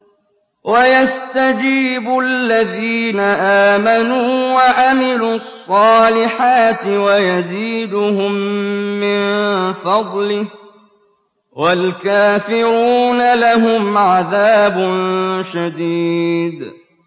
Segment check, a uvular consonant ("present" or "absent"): absent